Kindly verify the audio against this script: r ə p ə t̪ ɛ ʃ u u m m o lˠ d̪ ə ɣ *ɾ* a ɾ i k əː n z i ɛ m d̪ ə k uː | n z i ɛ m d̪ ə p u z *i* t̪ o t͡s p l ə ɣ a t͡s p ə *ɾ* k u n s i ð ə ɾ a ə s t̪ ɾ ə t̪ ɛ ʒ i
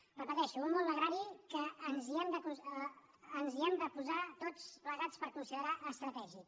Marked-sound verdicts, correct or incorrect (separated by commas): correct, incorrect, correct